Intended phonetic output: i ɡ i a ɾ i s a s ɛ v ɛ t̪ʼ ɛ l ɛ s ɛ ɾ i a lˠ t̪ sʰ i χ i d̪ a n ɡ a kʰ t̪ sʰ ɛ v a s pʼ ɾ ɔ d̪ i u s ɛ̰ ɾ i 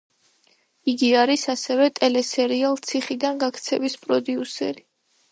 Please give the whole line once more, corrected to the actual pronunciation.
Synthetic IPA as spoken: i ɡ i a ɾ i s a s ɛ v ɛ t̪ʼ ɛ l ɛ s ɛ ɾ i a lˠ t̪ sʰ i χ i d̪ a n ɡ a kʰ t̪ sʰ ɛ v i s pʼ ɾ ɔ d̪ i u s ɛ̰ ɾ i